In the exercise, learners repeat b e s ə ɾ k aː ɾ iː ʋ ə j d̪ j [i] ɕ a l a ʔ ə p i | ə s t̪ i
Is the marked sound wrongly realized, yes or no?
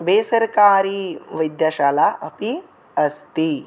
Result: yes